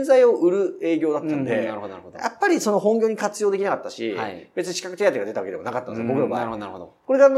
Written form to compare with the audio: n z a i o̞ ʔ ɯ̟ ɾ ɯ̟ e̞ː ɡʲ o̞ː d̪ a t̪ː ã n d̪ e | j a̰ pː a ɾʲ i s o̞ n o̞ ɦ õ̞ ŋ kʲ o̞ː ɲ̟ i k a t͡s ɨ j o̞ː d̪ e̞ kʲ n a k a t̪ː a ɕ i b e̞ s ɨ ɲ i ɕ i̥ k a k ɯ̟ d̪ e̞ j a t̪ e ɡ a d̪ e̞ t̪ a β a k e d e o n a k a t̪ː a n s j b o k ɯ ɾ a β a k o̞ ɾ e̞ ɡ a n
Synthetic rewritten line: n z a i o̞ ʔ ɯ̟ ɾ ɯ̟ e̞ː ɡʲ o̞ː d̪ a t̪ː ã n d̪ e | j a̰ pː a ɾʲ i s o̞ n o̞ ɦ õ̞ ŋ ɡʲ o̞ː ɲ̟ i k a t͡s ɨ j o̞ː d̪ e̞ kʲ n a k a t̪ː a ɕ i b e̞ t͡s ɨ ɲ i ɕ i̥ k a k ɯ̟ t̪ e̞ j a t̪ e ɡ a d̪ e̞ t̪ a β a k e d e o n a k a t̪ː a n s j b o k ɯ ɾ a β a k o̞ ɾ e̞ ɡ a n